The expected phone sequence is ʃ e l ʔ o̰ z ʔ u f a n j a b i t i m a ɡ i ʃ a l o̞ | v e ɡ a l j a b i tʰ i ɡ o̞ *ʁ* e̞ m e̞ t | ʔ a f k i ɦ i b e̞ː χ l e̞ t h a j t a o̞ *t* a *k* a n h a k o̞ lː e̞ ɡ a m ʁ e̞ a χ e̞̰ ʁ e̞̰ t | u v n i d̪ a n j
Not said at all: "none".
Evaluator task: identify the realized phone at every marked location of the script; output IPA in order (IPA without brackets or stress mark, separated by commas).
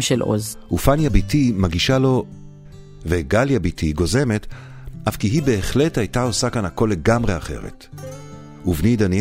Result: z, s, k